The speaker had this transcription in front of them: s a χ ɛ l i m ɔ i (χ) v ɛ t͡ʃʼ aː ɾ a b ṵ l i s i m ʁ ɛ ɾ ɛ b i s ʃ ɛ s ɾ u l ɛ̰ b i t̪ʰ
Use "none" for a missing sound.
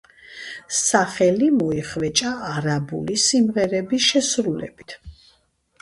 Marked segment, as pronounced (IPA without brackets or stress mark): χ